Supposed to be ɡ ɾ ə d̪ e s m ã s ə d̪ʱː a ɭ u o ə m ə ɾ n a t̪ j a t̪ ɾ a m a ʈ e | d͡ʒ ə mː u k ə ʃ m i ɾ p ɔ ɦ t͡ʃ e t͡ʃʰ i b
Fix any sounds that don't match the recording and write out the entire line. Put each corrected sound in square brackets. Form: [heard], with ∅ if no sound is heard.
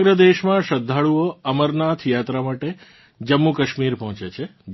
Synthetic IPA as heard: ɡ ɾ ə d̪ e [ʃ] m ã [ʃ] ə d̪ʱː a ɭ u o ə m ə ɾ n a [t̪ʰ] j a t̪ ɾ a m a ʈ e | d͡ʒ ə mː u k ə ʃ m i ɾ p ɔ ɦ t͡ʃ e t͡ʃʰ [e] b